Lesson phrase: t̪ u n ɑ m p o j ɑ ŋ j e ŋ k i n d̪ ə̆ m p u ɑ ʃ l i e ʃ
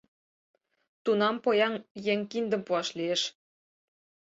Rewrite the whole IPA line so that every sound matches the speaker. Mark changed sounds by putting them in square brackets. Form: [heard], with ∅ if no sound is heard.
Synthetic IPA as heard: t̪ u n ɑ m p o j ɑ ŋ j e ŋ k i n d̪ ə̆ m p u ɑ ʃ l i e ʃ

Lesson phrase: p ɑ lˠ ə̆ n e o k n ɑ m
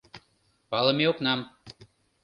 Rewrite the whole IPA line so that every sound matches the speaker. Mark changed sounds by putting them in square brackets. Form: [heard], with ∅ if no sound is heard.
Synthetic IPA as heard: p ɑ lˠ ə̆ [m] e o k n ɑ m

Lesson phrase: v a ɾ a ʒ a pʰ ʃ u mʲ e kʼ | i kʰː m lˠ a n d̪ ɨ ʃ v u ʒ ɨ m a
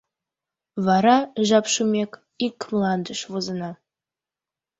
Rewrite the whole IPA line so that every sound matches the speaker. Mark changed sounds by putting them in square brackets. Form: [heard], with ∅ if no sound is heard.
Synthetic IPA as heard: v a ɾ a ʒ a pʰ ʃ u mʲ e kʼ | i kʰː m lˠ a n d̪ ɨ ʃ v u [z] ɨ [n] a

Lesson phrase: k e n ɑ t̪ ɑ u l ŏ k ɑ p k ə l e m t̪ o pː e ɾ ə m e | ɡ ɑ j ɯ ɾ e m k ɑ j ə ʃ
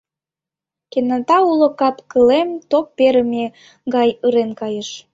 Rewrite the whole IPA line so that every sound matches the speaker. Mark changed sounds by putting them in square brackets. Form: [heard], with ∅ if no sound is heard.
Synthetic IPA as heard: k e n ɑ t̪ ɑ u l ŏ k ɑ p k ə l e m t̪ o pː e ɾ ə m e | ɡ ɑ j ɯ ɾ e [n] k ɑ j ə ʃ

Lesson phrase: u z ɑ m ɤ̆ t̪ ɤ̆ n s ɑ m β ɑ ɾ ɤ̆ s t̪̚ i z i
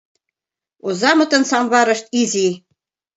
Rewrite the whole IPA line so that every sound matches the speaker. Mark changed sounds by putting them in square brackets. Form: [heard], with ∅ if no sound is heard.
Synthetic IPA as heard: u z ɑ m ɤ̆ t̪ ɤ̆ n s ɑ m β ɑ ɾ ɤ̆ [ʃ] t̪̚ i z i

